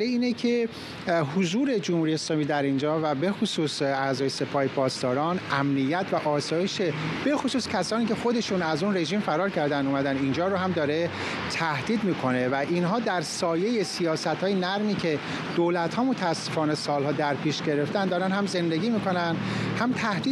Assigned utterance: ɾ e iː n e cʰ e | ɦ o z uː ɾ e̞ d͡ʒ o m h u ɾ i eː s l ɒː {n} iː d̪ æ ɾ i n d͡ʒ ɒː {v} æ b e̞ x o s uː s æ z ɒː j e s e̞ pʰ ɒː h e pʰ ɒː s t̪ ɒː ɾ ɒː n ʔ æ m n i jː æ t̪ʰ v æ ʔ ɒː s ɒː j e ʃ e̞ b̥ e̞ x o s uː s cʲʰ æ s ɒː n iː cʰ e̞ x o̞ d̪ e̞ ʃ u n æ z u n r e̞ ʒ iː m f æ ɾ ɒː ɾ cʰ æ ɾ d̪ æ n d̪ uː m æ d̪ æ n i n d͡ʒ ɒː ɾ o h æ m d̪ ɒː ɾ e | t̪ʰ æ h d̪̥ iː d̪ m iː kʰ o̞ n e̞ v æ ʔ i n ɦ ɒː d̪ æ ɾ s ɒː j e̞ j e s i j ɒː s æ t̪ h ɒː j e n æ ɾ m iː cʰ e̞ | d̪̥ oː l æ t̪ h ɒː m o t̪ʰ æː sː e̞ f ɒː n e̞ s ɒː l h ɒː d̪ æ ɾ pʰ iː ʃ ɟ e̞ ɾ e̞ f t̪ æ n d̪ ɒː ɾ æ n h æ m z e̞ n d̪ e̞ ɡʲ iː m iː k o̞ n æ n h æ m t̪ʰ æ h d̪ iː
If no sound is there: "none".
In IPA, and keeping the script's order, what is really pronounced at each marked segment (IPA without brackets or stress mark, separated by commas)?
m, v